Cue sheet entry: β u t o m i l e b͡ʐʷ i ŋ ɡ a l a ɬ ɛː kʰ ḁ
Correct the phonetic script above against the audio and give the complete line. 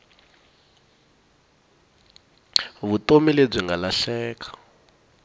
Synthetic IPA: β u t o m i l e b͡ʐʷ i ŋ ɡ a l a ɬ ɛː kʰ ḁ